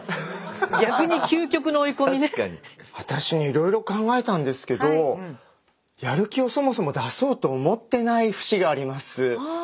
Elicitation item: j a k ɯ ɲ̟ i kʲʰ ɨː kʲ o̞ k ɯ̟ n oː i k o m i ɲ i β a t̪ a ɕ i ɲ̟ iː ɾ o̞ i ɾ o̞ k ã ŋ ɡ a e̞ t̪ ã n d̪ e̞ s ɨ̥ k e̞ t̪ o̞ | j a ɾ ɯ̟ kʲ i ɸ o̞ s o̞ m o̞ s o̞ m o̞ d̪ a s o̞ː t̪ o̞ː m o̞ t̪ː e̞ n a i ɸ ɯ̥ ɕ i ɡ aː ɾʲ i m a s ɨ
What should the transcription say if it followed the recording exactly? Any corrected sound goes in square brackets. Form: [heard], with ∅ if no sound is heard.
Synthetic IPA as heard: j a k ɯ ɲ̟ i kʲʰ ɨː kʲ o̞ k ɯ̟ n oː i k o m i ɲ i β a t̪ a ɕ i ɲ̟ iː ɾ o̞ i ɾ o̞ k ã ŋ ɡ a e̞ t̪ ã n d̪ e̞ s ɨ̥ k e̞ [d̪] o̞ | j a ɾ ɯ̟ kʲ i [∅] o̞ s o̞ m o̞ s o̞ m o̞ d̪ a s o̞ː t̪ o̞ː m o̞ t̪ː e̞ n a i ɸ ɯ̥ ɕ i ɡ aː ɾʲ i m a s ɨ